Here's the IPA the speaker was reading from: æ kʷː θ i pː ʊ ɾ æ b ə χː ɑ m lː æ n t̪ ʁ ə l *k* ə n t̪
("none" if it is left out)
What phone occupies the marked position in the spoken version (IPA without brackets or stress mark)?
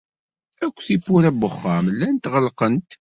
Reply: q